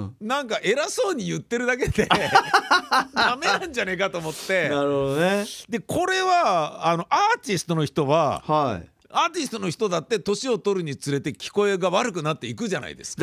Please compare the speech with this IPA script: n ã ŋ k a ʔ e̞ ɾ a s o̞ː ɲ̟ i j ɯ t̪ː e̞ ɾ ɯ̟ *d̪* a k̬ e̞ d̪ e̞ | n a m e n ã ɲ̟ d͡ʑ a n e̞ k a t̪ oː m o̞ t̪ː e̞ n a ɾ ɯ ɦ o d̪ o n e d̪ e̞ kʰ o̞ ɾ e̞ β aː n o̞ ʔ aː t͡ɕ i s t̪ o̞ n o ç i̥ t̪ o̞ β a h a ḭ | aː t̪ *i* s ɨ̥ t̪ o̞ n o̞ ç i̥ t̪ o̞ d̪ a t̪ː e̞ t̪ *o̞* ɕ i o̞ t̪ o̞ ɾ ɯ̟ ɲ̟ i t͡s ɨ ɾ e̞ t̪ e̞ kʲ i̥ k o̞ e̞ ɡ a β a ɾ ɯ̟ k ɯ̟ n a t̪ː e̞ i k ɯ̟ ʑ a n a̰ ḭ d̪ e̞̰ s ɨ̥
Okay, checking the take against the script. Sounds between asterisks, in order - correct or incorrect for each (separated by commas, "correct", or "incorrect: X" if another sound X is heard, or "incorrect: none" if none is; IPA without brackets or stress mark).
correct, correct, correct